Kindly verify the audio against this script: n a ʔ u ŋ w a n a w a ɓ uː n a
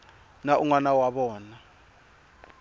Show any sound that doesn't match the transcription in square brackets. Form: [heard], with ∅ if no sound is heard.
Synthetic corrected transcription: n a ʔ u ŋ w a n a w a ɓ [ɔː] n a